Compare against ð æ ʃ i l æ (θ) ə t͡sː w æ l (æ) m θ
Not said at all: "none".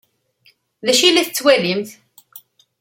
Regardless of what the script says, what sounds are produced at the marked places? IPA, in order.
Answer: θ, i

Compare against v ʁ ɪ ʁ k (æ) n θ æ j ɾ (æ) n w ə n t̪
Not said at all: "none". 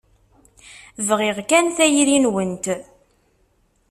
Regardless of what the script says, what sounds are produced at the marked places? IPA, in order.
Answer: æ, i

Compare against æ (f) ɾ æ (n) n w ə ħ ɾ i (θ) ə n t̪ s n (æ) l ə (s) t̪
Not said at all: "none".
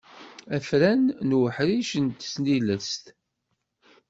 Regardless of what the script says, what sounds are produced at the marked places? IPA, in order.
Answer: f, n, ʃ, i, s

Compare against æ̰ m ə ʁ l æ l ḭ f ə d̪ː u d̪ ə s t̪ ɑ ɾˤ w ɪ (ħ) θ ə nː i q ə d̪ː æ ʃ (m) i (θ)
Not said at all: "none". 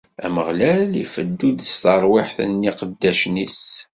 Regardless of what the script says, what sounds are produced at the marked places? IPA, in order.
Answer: ħ, n, s

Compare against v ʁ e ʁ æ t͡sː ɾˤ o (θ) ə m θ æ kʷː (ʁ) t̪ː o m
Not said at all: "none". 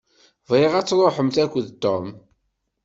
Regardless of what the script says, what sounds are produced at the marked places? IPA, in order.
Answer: ħ, ð

